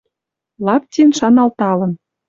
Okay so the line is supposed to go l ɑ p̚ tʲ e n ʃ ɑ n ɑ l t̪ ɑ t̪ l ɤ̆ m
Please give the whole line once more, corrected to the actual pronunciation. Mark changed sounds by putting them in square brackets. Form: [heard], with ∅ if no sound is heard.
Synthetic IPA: l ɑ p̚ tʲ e n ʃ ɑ n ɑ l t̪ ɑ [∅] l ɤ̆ [n]

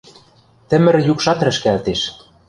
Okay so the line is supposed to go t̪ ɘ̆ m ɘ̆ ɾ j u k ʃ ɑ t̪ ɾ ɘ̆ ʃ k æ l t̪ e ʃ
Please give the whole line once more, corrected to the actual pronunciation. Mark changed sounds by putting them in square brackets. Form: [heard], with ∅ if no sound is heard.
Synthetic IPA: t̪ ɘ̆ m ɘ̆ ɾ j u k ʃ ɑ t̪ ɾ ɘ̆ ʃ k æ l t̪ e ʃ

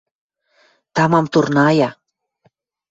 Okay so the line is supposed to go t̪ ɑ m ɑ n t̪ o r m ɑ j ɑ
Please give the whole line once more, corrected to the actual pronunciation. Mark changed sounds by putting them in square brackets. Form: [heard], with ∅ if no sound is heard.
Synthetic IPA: t̪ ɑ m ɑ [m] t̪ [u] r [n] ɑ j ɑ

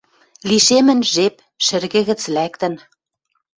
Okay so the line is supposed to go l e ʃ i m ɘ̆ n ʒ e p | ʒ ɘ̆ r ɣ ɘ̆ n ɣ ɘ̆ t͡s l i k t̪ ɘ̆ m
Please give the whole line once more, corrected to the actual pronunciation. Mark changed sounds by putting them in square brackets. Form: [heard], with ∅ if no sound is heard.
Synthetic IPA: l [i] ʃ [e] m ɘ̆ n ʒ e p | [ʃ] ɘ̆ r ɣ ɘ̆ [∅] ɣ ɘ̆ t͡s l [æ] k t̪ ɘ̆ [n]

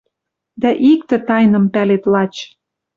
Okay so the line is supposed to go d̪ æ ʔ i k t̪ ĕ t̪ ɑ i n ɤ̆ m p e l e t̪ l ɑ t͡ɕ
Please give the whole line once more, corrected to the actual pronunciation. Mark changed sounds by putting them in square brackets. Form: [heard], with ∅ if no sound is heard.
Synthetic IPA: d̪ æ ʔ i k t̪ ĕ t̪ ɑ [j] n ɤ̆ m p [æ] l e t̪ l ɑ t͡ɕ

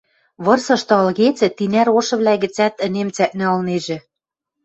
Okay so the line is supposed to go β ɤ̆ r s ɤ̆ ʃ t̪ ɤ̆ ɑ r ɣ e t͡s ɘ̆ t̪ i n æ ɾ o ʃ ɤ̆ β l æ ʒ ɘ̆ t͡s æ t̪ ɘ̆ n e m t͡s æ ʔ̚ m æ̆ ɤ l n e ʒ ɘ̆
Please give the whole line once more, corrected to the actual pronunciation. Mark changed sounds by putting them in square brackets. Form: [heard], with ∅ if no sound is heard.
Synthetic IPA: β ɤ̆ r s ɤ̆ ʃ t̪ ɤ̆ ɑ [l] ɣ e t͡s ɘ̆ t̪ i n æ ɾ o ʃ ɤ̆ β l æ [ɣ] ɘ̆ t͡s æ t̪ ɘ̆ n e m t͡s æ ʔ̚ [n] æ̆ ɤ l n e ʒ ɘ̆

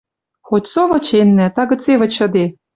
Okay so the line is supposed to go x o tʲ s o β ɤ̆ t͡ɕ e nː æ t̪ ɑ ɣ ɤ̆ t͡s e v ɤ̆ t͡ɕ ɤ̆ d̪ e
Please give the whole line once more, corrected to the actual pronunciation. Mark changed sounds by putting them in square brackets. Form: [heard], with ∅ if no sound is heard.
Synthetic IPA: x o tʲ s o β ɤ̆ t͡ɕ e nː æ t̪ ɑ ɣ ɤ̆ t͡s e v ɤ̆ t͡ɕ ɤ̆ d̪ e

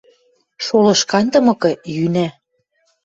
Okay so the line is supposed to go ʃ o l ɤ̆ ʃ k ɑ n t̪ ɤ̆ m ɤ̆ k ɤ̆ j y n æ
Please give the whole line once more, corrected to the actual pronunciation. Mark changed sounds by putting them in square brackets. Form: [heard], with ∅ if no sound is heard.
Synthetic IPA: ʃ o l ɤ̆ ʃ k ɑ n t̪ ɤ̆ m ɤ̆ k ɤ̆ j y n æ

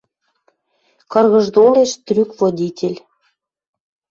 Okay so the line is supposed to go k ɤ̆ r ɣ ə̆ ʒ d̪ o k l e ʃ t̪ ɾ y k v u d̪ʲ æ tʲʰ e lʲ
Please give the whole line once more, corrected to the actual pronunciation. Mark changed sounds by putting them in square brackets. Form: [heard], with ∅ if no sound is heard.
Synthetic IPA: k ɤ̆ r ɣ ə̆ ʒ d̪ o [∅] l e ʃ t̪ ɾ y k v [o] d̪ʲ [i] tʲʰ e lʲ

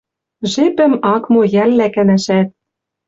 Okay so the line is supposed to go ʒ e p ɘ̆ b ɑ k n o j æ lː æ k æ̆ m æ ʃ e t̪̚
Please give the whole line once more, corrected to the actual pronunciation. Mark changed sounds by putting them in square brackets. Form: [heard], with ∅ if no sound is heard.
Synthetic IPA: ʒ e p ɘ̆ [m] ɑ k [m] o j æ lː æ k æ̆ [n] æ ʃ [æ] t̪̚

